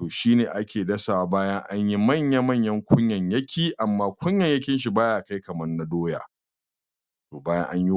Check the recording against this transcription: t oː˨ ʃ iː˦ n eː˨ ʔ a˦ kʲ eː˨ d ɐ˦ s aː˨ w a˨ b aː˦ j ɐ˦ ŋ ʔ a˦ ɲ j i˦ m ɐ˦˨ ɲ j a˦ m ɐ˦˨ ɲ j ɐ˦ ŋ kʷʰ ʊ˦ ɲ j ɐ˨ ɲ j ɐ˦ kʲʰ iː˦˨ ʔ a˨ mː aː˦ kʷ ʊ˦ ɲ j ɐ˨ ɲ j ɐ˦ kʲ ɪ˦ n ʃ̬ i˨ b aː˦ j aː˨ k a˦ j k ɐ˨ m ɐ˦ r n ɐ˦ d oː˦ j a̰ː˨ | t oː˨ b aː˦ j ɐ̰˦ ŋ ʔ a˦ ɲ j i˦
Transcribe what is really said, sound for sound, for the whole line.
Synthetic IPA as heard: t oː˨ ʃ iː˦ n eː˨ ʔ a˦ kʲ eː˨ d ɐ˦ s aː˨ w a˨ b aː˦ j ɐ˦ ŋ ʔ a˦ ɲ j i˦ m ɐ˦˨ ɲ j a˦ m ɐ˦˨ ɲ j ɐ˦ ŋ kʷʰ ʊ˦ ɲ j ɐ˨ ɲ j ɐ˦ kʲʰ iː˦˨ ʔ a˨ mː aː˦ kʷ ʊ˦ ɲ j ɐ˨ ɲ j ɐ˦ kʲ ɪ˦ n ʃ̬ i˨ b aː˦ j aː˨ k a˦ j k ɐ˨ m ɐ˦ r n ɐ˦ d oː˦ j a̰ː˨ | t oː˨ b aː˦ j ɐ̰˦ ŋ ʔ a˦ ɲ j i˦